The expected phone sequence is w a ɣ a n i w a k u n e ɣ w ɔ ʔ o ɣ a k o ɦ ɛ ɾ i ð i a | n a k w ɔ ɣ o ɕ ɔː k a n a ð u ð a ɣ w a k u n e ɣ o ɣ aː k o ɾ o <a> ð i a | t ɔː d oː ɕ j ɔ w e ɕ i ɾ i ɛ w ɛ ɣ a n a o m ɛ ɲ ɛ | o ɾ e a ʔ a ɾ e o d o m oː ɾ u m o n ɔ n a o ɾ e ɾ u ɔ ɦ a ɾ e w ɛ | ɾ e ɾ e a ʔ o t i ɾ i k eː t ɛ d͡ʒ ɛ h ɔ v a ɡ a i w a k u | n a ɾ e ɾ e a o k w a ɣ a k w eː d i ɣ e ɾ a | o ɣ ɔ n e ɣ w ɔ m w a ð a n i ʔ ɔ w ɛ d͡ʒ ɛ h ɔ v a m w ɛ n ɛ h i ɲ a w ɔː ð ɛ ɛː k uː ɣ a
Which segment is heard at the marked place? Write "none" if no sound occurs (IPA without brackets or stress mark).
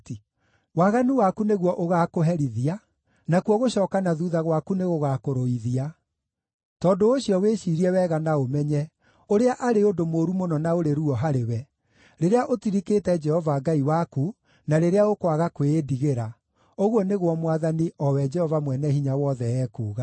i